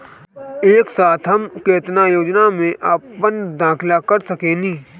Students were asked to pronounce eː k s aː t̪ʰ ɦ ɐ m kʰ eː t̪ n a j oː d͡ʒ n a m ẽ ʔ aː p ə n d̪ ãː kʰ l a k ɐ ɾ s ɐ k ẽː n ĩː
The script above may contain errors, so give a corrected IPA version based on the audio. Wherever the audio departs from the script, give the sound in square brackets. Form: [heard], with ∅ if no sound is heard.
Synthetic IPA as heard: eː k s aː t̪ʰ ɦ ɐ m [k] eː t̪ n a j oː d͡ʒ n a m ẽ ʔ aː p ə n d̪ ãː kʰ l a k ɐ ɾ s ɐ k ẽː n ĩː